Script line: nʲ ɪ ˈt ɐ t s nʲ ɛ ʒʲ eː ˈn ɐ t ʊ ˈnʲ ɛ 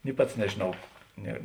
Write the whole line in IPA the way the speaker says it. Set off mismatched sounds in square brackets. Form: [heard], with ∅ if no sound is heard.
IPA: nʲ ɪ [ˈp] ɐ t s nʲ ɛ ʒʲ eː ˈn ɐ [∅] ʊ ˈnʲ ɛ